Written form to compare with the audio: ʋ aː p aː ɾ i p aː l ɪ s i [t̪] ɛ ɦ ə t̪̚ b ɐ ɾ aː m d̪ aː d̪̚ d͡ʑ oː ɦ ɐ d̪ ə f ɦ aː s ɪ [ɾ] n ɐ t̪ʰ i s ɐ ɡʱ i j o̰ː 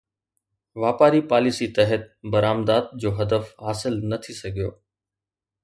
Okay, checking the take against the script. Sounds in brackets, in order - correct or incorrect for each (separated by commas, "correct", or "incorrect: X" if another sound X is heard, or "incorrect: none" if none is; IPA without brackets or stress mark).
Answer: correct, incorrect: l